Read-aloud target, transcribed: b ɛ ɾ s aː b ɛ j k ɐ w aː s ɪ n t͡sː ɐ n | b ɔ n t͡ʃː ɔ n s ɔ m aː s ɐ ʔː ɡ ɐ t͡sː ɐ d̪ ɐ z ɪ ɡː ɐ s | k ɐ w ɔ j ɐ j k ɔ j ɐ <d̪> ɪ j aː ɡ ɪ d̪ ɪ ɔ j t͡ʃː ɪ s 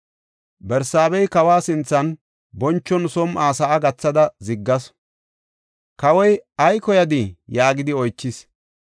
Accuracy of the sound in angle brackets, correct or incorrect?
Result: correct